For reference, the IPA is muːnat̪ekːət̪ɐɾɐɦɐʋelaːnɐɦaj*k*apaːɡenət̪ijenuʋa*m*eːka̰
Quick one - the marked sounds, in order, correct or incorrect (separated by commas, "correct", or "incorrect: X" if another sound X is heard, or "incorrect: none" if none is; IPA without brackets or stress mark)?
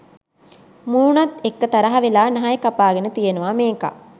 correct, correct